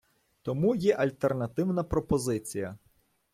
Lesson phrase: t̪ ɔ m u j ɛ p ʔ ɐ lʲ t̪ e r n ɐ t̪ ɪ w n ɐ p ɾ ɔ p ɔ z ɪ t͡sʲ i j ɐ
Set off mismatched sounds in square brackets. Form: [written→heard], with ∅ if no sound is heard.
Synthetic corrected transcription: t̪ ɔ m u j ɛ [p→∅] ʔ ɐ lʲ t̪ e r n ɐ t̪ ɪ w n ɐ p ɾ ɔ p ɔ z ɪ t͡sʲ i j ɐ